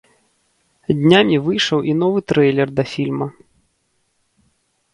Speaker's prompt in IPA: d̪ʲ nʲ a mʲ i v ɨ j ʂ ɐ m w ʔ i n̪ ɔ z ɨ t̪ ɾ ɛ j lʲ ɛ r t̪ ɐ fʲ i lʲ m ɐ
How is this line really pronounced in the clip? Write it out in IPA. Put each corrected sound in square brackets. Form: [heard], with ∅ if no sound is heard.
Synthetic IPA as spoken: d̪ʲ nʲ a mʲ i v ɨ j ʂ ɐ [∅] w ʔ i n̪ ɔ [v] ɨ t̪ ɾ ɛ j lʲ ɛ r [d̪] ɐ fʲ i lʲ m ɐ